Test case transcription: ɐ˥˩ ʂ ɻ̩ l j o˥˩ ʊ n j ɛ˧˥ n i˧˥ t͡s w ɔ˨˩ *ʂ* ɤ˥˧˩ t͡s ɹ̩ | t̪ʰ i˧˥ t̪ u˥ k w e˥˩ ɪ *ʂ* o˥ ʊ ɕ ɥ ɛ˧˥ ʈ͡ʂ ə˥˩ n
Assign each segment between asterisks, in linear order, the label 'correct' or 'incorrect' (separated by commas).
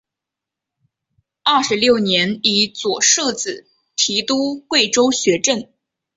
correct, incorrect